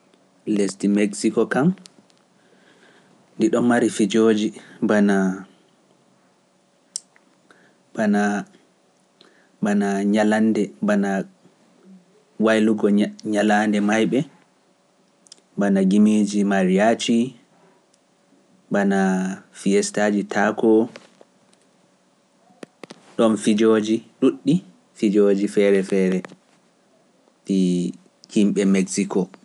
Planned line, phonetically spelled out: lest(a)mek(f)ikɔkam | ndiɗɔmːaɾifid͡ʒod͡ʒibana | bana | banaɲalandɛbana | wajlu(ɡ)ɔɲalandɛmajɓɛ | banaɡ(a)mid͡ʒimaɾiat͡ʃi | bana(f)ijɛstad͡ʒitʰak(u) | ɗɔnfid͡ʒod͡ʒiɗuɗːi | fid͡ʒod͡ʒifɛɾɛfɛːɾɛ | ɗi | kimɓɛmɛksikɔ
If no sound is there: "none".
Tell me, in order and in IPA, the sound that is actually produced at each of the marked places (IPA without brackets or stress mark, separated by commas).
i, s, ɡ, i, f, ɔ